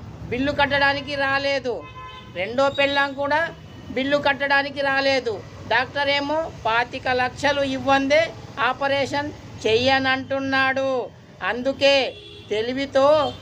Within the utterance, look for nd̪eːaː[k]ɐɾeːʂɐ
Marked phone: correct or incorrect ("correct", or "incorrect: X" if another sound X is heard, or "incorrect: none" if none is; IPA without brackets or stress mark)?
incorrect: p